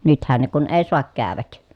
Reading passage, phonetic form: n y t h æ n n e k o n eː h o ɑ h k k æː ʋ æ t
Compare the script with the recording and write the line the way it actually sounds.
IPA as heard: n y t h æ n n e k u n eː s o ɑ k k æː ʋ æ k